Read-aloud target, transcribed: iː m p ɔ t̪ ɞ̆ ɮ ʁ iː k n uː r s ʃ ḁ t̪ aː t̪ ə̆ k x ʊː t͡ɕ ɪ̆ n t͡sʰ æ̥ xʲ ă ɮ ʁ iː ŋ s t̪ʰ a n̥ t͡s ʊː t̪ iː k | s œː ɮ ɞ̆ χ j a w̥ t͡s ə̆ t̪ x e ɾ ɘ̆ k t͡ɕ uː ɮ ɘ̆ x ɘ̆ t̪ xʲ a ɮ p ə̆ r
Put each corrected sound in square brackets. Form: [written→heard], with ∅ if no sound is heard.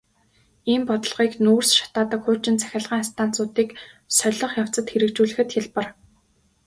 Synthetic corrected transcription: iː m p ɔ t̪ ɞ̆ ɮ ʁ iː k n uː r s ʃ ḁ t̪ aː t̪ ə̆ k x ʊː t͡ɕ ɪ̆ n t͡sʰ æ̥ xʲ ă ɮ ʁ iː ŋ s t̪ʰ a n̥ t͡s ʊː t̪ iː k | s [œː→œ] ɮ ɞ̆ χ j a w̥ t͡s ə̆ t̪ x e ɾ ɘ̆ k t͡ɕ uː ɮ ɘ̆ x ɘ̆ t̪ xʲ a ɮ p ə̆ r